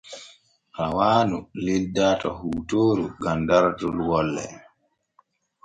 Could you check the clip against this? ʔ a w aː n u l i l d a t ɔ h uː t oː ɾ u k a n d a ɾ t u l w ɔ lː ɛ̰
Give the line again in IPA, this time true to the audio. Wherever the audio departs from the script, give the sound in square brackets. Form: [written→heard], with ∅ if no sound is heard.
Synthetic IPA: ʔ a w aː n u l i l d a t ɔ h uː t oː ɾ u [k→ɡ] a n d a ɾ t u l w ɔ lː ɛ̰